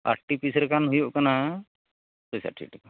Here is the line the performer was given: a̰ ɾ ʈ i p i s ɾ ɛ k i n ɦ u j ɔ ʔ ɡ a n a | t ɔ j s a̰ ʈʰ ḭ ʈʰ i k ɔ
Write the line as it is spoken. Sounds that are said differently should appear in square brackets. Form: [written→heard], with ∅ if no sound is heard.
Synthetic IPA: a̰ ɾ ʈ i p i s ɾ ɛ k [i→a] n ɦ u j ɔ ʔ [ɡ→k] a n a | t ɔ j s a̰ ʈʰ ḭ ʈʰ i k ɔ